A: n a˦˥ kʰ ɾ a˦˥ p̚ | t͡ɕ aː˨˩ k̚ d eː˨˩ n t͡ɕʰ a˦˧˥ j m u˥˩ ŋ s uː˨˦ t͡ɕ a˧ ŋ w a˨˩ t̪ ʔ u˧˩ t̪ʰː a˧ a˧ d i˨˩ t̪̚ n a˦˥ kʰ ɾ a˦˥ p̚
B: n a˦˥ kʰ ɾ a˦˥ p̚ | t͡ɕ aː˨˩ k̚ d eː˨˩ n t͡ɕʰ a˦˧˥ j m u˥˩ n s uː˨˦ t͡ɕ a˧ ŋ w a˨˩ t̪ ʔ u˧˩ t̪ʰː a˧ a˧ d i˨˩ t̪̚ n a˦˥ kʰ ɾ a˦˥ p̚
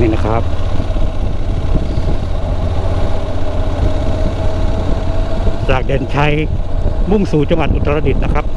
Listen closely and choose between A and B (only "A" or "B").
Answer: A